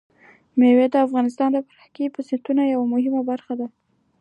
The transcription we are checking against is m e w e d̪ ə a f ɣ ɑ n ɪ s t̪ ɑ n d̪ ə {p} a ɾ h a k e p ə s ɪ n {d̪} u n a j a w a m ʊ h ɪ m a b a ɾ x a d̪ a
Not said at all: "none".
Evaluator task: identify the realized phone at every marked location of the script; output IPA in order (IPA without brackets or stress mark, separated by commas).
p, t̪